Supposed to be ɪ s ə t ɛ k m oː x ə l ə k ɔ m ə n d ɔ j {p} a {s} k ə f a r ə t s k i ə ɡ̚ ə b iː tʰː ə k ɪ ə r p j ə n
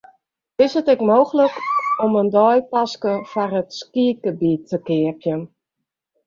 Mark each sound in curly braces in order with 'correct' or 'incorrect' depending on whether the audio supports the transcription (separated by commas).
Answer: correct, correct